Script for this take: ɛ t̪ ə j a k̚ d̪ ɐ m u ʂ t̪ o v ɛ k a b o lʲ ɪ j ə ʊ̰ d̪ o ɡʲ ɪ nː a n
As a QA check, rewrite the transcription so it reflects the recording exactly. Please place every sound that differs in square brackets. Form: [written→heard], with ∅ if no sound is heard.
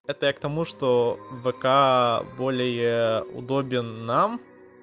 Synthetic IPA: ɛ t̪ ə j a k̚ [d̪→t̪] ɐ m u ʂ t̪ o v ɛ k a b o lʲ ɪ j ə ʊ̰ d̪ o [ɡʲ→bʲ] ɪ nː a [n→m]